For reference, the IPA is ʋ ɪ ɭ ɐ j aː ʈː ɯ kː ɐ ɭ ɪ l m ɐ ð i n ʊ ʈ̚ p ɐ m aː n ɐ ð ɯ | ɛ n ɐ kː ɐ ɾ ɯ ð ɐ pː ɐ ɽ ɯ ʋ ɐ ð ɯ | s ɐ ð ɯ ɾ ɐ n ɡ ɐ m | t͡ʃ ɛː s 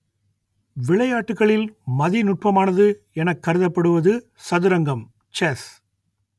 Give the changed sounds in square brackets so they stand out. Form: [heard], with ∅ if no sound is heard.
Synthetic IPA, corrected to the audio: ʋ ɪ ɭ ɐ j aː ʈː ɯ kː ɐ ɭ ɪ l m ɐ ð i n ʊ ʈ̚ p ɐ m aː n ɐ ð ɯ | ɛ n ɐ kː ɐ ɾ ɯ ð ɐ pː ɐ ɽ ɯ ʋ ɐ ð ɯ | s ɐ ð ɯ ɾ ɐ [ŋ] ɡ ɐ m | t͡ʃ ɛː s